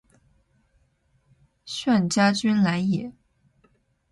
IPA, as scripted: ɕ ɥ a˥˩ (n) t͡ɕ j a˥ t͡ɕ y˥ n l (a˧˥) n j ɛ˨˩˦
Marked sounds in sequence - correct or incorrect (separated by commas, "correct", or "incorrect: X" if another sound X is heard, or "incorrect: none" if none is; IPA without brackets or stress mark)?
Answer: correct, correct